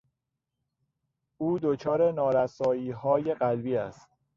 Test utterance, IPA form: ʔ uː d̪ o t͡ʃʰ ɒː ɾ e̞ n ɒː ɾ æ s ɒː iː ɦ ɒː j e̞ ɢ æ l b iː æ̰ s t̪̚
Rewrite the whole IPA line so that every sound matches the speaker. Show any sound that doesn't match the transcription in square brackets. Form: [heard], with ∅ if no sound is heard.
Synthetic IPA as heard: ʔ uː d̪ o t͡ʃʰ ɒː ɾ e̞ n ɒː ɾ æ s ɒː iː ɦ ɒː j e̞ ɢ æ l b iː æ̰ s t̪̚